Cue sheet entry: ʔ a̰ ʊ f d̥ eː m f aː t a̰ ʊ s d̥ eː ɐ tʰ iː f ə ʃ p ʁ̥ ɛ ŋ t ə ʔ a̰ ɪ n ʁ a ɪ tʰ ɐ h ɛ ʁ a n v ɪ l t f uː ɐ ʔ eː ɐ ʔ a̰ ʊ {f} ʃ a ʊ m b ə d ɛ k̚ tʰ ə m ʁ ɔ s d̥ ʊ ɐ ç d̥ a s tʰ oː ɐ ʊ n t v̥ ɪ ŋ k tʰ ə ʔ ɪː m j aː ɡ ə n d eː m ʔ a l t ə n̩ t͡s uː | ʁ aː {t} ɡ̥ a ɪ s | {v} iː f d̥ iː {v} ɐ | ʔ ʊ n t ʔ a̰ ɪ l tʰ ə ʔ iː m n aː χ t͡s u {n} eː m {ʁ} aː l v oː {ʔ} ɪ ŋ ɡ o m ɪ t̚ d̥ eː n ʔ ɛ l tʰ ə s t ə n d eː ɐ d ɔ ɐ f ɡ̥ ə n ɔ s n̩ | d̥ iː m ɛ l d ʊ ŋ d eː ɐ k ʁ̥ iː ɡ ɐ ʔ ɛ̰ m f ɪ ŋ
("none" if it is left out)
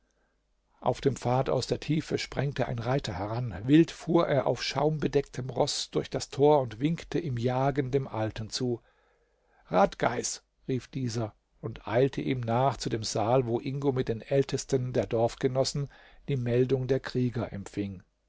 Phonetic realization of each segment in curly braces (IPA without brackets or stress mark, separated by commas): f, t, ʁ, z, d, z, ʔ